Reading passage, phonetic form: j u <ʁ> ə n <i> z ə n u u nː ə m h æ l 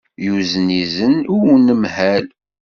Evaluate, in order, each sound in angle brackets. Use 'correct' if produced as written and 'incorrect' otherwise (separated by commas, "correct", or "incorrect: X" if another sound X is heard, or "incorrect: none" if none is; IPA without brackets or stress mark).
incorrect: z, correct